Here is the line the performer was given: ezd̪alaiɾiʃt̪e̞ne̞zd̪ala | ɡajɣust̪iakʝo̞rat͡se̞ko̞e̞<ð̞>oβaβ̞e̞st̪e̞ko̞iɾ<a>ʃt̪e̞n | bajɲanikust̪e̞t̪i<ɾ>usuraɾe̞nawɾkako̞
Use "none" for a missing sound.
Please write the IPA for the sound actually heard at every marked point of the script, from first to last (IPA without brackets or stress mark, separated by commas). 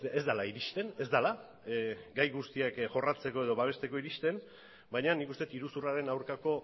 ð̞, i, ɾ